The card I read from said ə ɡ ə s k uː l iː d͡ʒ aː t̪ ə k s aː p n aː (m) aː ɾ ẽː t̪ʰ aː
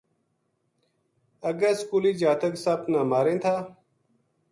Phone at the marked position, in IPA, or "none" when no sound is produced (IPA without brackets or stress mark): m